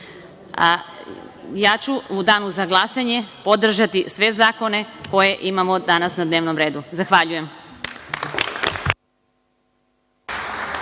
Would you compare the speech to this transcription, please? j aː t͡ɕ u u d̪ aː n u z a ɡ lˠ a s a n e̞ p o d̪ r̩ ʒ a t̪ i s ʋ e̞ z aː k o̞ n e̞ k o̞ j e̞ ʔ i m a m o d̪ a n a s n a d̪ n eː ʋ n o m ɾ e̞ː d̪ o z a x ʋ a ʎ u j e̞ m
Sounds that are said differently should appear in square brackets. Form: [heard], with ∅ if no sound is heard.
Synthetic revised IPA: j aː t͡ɕ u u d̪ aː n u z a ɡ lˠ a s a [ɲ] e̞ p o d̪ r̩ ʒ a t̪ i s ʋ e̞ z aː k o̞ n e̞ k o̞ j e̞ ʔ i m a m o d̪ a n a s n a d̪ n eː ʋ n o m ɾ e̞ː d̪ [u] z a x ʋ a ʎ u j e̞ m